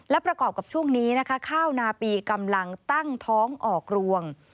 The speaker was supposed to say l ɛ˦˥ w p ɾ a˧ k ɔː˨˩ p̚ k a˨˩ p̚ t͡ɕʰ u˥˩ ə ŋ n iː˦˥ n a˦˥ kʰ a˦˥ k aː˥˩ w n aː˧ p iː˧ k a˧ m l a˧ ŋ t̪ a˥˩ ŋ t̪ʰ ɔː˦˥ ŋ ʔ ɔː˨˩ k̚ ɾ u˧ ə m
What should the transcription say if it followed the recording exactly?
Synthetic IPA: l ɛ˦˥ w p ɾ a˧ k ɔː˨˩ p̚ k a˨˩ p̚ t͡ɕʰ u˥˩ ə ŋ n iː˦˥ n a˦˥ kʰ a˦˥ kʰ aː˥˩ w n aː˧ p iː˧ k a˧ m l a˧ ŋ t̪ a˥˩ ŋ t̪ʰ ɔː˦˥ ŋ ʔ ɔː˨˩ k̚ ɾ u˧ ə ŋ